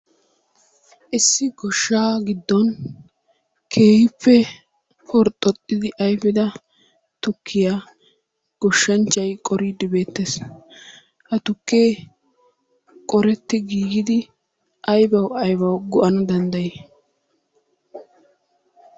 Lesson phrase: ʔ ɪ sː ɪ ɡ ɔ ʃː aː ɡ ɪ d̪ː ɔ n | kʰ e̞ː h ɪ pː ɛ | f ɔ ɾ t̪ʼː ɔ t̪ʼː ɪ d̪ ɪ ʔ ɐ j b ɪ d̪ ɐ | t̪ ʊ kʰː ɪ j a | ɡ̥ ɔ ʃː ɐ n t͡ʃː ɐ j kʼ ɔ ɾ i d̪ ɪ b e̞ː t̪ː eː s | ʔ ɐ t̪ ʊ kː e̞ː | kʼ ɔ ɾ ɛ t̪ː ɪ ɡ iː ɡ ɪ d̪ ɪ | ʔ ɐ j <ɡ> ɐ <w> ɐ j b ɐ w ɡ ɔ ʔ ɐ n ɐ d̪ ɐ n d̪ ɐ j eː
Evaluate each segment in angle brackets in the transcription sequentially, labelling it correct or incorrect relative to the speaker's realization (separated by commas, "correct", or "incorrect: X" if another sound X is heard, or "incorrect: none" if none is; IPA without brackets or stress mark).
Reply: incorrect: b, correct